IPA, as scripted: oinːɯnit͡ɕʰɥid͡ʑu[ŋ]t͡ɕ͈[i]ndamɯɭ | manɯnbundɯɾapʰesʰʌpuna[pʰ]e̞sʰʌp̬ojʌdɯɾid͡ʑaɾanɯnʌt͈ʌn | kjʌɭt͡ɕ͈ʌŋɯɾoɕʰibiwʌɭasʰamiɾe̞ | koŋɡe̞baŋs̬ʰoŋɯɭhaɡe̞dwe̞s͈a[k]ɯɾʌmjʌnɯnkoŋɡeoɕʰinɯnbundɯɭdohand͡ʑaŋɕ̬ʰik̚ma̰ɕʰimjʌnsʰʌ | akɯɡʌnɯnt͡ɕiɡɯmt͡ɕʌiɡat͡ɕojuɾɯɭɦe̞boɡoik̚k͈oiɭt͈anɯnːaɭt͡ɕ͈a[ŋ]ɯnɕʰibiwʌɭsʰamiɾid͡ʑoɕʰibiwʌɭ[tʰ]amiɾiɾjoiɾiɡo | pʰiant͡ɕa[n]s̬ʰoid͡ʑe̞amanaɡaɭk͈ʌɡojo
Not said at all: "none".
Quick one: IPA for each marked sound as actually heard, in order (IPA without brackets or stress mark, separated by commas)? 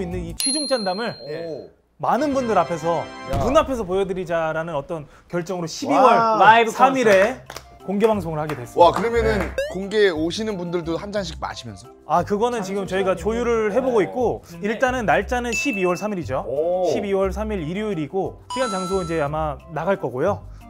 ŋ, a, pʰ, k, n, sʰ, ŋ